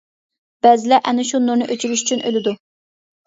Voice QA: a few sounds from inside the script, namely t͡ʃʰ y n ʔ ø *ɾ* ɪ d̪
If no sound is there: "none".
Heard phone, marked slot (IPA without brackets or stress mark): l